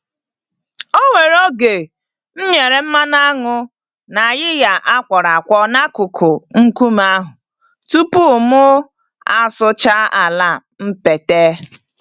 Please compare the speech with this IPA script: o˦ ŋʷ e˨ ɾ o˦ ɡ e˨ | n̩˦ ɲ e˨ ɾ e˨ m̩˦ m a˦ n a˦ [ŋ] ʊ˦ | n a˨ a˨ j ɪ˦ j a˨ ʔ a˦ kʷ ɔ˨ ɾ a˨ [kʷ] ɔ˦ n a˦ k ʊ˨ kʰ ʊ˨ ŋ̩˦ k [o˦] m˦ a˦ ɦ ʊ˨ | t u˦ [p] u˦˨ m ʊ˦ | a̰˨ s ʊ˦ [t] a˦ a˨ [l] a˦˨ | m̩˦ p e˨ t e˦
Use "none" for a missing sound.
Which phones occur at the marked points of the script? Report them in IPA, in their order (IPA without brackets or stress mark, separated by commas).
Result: ŋ, kʷ, u˦, p, t͡ʃ, l